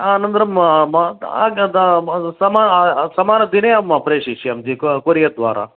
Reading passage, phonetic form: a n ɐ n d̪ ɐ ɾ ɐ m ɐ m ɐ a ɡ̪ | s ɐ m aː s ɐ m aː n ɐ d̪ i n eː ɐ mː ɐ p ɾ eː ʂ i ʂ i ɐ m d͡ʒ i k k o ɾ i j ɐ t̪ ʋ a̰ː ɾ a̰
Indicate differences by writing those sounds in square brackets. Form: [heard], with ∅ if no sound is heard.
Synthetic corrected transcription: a n ɐ n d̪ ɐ ɾ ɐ m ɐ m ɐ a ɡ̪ | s ɐ m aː s ɐ m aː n ɐ d̪ i n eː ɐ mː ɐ p ɾ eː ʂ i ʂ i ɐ m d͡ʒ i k k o ɾ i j ɐ [d̪] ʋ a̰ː ɾ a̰